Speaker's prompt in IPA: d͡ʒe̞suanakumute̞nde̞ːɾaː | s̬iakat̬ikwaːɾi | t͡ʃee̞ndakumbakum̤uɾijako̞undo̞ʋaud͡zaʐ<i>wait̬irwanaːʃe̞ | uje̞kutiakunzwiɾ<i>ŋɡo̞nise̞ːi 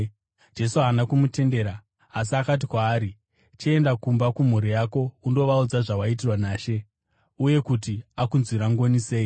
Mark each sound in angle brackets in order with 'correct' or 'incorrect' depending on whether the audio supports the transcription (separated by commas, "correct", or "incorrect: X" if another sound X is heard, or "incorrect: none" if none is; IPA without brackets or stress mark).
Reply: incorrect: a, incorrect: a